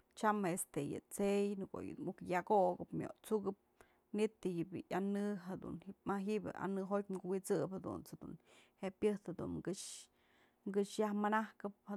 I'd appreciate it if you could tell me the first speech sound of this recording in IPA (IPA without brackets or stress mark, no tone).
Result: t͡ʃ